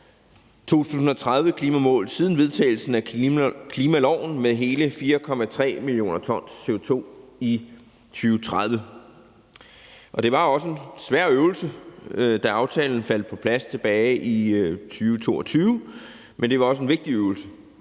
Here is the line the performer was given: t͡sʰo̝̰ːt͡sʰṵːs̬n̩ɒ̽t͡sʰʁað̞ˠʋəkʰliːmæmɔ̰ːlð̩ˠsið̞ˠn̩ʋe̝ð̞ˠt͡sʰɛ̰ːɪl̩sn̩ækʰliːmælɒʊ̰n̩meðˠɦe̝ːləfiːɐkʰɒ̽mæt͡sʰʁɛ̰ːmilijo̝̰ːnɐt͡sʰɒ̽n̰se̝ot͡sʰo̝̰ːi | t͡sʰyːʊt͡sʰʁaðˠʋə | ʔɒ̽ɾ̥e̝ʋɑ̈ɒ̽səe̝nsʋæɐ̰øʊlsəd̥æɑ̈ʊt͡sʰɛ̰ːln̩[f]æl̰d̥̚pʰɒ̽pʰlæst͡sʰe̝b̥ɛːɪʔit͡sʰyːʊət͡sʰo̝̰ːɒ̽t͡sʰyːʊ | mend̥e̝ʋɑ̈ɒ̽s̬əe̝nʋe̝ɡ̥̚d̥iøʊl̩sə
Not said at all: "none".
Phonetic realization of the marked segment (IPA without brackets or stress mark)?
f